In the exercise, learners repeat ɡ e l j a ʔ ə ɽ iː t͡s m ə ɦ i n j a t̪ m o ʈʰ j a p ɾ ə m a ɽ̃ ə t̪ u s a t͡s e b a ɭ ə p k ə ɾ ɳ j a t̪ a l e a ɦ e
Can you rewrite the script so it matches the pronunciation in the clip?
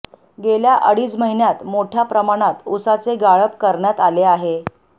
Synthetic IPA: ɡ e l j a ʔ ə ɽ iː t͡s m ə ɦ i n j a t̪ m o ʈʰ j a p ɾ ə m a ɽ̃ a t̪ u s a t͡s e ɡ a ɭ ə p k ə ɾ ɳ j a t̪ a l e a ɦ e